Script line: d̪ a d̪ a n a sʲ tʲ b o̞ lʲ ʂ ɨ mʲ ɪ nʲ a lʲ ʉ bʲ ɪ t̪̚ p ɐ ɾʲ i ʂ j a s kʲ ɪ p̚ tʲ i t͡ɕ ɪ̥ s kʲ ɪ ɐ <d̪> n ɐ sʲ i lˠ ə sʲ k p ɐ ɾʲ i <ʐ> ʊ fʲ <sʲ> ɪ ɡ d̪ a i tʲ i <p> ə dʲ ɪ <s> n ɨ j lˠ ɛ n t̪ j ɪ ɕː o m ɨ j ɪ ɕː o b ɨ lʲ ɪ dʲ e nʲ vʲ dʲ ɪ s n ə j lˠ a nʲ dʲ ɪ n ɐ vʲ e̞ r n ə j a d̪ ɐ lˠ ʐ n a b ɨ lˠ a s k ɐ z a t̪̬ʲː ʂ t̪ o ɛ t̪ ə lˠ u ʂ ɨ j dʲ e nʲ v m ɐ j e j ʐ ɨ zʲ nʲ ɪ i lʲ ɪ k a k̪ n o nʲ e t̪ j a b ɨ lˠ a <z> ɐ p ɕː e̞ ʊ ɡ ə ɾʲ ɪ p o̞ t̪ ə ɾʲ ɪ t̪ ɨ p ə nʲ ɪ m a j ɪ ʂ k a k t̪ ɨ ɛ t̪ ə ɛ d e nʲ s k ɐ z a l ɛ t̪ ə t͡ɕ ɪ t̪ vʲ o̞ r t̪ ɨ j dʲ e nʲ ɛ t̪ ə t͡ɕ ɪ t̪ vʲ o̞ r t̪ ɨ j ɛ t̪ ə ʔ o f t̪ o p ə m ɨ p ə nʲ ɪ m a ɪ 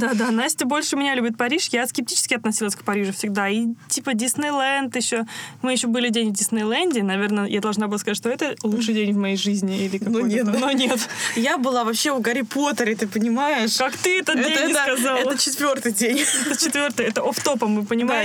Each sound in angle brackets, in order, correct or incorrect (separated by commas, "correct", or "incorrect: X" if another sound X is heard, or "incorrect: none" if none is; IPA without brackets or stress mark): incorrect: t̪, correct, correct, correct, correct, incorrect: v